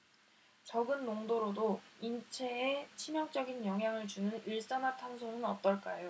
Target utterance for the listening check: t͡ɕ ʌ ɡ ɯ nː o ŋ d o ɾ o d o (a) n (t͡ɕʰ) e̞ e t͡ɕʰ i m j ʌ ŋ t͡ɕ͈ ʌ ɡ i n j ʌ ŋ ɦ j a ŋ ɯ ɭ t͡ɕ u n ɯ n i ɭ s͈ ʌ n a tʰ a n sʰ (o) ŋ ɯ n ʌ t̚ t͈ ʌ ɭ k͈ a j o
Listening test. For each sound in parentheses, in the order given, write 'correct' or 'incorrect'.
incorrect, correct, correct

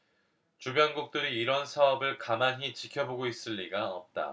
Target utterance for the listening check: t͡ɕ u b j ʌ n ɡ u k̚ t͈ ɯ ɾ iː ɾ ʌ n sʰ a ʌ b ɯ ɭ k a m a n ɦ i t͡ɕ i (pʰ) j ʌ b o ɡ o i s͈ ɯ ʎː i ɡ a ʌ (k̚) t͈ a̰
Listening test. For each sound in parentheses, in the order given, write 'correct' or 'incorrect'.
incorrect, incorrect

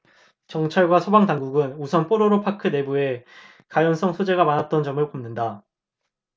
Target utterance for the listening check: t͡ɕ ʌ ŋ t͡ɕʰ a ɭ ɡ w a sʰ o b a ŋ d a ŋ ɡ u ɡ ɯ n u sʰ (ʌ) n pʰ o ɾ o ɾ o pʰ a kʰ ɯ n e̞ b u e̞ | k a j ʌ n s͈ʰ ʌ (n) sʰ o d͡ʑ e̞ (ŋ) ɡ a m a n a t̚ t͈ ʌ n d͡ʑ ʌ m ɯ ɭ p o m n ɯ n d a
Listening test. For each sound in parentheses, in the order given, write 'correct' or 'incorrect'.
correct, incorrect, incorrect

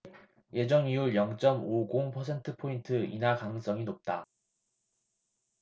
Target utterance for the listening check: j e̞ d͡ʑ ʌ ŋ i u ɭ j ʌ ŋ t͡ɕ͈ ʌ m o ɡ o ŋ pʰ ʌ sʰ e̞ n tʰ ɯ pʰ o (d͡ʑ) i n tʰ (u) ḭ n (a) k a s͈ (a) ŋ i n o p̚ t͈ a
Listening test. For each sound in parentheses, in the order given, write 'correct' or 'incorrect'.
incorrect, incorrect, correct, incorrect

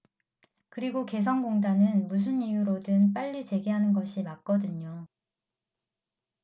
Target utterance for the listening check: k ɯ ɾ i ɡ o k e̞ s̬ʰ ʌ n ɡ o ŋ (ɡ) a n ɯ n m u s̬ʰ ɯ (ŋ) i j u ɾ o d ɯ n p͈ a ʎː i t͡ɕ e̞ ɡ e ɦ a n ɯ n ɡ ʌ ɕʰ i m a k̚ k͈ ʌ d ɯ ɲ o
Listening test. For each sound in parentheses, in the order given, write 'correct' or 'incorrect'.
incorrect, incorrect

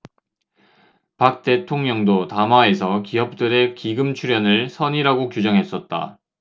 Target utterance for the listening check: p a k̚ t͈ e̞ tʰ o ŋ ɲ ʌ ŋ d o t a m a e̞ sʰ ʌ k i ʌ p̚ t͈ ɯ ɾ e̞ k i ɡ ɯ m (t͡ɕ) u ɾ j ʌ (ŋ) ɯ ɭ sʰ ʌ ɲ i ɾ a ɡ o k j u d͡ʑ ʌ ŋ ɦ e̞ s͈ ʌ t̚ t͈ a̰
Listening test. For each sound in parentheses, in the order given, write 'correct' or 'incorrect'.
incorrect, incorrect

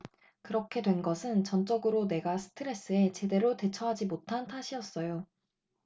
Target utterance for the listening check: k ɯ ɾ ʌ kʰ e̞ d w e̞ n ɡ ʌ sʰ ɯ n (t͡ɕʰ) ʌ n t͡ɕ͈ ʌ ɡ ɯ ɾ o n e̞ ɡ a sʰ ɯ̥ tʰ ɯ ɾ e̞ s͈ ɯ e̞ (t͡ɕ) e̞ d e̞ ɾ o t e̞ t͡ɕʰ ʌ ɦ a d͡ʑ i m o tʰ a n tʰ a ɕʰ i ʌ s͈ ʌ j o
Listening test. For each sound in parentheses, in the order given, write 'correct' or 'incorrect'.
incorrect, correct

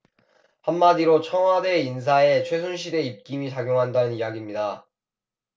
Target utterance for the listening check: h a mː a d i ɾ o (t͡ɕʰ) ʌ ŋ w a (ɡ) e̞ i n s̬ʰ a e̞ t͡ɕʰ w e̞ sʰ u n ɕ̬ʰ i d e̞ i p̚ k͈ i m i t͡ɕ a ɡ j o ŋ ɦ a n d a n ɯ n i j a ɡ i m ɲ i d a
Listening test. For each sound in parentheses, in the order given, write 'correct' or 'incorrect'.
correct, incorrect

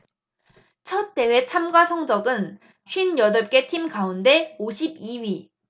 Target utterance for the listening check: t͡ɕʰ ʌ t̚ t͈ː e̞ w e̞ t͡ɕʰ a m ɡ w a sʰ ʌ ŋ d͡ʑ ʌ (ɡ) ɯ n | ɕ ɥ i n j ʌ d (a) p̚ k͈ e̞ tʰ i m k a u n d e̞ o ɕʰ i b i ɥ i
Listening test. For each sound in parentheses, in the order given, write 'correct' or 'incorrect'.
correct, incorrect

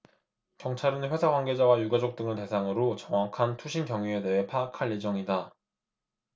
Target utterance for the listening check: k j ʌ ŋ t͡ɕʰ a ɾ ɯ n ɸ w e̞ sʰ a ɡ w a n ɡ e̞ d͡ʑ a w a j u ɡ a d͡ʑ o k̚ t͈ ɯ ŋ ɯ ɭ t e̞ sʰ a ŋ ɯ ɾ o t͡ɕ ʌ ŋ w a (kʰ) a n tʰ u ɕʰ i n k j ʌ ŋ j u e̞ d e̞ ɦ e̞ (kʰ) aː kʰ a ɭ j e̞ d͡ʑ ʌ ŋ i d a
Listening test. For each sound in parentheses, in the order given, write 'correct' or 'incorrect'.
correct, incorrect

